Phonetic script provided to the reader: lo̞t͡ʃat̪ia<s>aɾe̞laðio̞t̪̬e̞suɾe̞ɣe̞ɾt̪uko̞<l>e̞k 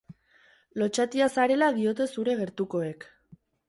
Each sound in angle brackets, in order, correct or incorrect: correct, incorrect

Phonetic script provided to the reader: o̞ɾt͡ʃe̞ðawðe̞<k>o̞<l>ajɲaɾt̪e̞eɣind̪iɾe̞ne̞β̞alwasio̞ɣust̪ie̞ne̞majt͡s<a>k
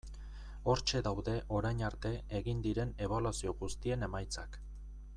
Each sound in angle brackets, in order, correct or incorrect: incorrect, incorrect, correct

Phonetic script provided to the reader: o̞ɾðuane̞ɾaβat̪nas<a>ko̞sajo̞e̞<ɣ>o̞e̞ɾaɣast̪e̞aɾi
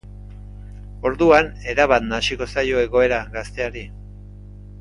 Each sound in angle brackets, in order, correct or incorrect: incorrect, correct

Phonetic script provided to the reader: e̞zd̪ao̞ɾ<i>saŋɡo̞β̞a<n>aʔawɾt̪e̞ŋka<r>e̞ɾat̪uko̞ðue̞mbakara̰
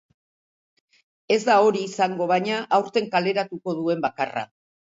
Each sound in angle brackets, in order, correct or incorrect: incorrect, incorrect, incorrect

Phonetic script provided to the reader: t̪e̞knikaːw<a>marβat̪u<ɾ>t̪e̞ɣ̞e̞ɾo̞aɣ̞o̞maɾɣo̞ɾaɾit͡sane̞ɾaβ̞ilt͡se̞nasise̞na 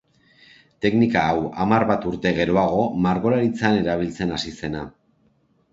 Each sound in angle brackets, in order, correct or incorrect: correct, correct

